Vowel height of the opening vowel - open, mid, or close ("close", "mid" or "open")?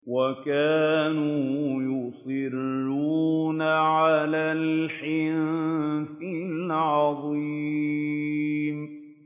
open